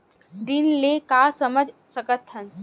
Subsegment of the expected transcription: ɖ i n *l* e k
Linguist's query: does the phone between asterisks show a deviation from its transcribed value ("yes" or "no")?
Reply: no